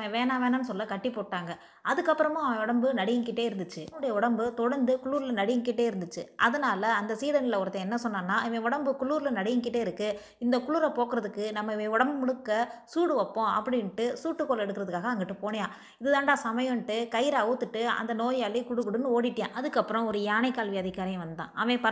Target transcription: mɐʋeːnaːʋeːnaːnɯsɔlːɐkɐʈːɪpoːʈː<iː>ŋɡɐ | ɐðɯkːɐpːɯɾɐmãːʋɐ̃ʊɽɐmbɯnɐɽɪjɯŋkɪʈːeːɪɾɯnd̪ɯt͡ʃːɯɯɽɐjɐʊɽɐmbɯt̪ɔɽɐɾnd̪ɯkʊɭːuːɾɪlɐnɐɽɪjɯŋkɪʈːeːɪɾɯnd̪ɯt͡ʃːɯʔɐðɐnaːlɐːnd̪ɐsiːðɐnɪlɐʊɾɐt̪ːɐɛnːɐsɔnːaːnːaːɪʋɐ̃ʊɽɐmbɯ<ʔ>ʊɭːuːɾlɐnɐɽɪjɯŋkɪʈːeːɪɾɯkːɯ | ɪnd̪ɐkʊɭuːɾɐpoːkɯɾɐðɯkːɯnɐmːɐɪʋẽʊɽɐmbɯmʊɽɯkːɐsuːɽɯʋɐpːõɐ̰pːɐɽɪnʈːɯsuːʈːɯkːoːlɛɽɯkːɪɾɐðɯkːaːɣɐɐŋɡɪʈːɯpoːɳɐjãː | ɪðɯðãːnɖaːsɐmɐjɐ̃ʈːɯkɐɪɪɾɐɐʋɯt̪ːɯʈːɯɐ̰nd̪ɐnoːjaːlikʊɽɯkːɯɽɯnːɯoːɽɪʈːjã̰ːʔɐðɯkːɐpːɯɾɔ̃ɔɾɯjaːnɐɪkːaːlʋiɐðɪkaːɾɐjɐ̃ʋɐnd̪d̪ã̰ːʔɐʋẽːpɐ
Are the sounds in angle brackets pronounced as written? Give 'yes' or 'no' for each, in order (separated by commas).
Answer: no, no